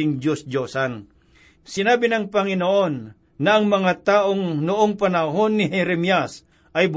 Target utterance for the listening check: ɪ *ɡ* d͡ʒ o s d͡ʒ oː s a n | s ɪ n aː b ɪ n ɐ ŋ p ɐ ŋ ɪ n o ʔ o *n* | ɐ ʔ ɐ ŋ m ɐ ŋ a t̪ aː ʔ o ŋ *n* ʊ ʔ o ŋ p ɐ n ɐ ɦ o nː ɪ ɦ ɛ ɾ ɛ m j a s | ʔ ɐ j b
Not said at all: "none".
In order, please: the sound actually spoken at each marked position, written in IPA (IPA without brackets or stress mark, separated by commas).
ŋ, nː, n